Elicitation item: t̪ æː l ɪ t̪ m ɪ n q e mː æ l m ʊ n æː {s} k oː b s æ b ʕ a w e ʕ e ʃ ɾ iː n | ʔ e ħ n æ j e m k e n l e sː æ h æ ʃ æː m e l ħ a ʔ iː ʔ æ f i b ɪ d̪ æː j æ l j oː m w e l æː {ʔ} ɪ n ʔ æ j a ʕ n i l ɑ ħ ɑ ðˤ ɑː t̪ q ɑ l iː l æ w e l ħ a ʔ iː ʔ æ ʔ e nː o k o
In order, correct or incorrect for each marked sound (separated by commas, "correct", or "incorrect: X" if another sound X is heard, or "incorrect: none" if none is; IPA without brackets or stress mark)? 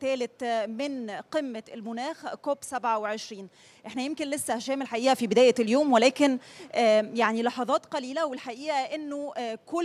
incorrect: x, incorrect: k